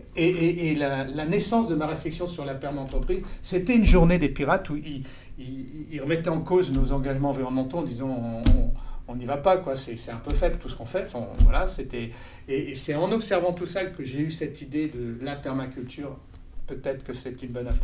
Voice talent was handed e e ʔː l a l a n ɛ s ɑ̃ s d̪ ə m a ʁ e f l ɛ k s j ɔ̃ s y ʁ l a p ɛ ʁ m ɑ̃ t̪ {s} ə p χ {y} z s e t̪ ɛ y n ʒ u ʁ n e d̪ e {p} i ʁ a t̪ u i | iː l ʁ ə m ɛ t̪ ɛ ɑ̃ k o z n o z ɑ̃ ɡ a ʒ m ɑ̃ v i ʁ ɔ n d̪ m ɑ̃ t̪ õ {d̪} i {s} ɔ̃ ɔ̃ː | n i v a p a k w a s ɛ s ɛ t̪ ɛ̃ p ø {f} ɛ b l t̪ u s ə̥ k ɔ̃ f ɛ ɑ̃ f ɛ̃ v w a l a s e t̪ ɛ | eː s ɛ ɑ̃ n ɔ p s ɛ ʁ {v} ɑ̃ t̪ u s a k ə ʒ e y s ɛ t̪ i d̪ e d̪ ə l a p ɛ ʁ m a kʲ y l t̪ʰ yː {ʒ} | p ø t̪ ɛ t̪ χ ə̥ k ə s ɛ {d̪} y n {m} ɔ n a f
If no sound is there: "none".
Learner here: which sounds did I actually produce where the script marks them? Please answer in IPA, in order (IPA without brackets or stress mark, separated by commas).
χ, i, p, d̪, z, f, v, ʁ, t̪, b